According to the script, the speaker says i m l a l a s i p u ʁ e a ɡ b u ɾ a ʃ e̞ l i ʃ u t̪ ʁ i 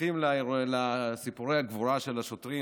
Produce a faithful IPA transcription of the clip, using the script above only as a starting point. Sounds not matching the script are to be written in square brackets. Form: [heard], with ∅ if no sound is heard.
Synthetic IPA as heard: i m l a l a s i p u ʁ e a ɡ [v] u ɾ a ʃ e̞ l [a] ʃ [o] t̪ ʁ i

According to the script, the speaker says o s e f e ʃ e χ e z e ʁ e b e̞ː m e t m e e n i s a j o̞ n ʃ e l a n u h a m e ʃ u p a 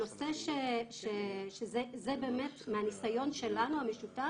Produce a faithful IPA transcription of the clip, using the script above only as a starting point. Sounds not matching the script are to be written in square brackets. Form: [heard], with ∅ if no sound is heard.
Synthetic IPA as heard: o s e [ʃ] e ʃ e [ʃ] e z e [z] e b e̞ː m e t m e [a] n i s a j o̞ n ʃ e l a n u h a m e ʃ u [t] a

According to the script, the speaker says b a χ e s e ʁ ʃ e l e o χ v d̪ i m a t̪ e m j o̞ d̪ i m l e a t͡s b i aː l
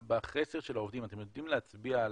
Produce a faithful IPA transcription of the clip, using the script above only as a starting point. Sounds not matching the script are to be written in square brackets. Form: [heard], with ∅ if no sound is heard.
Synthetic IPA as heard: b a χ e s e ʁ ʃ e l [a] o [∅] v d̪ i m a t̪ e m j o̞ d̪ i m l e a t͡s b i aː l

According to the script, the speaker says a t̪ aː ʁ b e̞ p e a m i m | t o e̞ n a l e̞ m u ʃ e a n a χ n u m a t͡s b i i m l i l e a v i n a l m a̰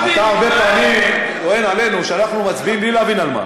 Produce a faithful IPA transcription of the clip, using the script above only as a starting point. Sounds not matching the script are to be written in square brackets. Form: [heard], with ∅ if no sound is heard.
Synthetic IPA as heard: a t̪ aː ʁ b e̞ p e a m i m | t o e̞ n a l e̞ [n] u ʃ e a n a χ n u m a t͡s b i i m l i l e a v i n a l m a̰

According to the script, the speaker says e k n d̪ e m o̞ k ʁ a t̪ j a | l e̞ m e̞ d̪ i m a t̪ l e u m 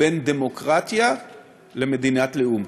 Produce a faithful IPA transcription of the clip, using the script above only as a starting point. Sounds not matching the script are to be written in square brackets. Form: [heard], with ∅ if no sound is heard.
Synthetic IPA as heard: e [∅] n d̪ e m o̞ k ʁ a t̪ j a | l e̞ m e̞ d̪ i [n] a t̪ l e u m

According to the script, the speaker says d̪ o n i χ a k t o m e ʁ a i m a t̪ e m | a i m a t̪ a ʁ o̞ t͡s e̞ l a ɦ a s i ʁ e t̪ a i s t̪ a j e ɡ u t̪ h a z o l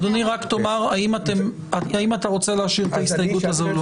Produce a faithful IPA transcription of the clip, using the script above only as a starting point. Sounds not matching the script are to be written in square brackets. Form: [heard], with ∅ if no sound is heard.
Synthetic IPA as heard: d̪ o n i [ʁ] a k t o m [a] ʁ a i m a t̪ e m | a i m a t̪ a ʁ o̞ t͡s e̞ l [e] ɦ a [ʃ] i ʁ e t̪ a i s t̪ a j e ɡ u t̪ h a z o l

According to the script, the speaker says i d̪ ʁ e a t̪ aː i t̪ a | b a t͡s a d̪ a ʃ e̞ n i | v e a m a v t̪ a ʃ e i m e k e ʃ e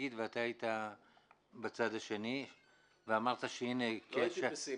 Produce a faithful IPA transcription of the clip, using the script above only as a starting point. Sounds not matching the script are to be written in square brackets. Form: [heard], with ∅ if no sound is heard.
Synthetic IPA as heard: i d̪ [v] e a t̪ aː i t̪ a | b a t͡s a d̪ a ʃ e̞ n i | v e a m a [ʁ] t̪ a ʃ e i [n] e k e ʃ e

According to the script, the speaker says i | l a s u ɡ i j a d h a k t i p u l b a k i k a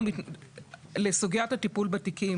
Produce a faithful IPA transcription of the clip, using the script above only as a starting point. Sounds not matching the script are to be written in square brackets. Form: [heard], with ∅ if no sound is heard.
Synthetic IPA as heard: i | l [e] s u ɡ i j a [t] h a [∅] t i p u l b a [t] i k [i]

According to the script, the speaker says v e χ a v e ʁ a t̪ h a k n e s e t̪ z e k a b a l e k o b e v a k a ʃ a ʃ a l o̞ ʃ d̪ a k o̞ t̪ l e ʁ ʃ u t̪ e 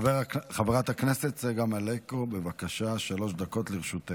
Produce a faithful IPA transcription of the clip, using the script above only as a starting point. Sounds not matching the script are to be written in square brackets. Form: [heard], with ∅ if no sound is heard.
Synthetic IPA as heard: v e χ a v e ʁ a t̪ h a k n e s e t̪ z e [ɡ] a [m] a l e k o b e v a k a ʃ a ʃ a l o̞ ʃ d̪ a k o̞ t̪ l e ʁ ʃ u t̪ e

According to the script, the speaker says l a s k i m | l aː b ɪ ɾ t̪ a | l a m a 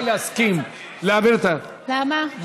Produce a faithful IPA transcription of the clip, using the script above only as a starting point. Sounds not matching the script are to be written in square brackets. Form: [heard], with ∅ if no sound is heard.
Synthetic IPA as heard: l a s k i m | l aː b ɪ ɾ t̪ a | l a m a

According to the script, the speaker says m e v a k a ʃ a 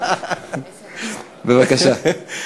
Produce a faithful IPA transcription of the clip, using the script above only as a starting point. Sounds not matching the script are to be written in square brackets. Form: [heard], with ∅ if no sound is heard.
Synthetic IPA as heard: [b] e v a k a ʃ a

